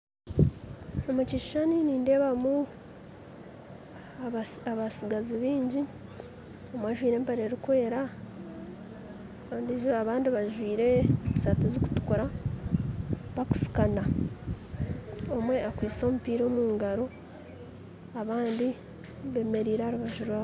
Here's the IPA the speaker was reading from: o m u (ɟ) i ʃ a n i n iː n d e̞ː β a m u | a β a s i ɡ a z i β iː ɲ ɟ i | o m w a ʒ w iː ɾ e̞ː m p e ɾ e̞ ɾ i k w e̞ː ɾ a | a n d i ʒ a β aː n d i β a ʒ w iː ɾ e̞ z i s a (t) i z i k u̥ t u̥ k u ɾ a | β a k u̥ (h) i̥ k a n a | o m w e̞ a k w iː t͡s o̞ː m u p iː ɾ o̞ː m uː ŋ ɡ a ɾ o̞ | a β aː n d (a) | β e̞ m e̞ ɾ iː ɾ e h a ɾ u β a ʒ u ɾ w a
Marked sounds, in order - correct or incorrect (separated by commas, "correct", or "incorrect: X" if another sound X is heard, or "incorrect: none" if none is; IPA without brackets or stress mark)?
incorrect: c, correct, incorrect: s, incorrect: i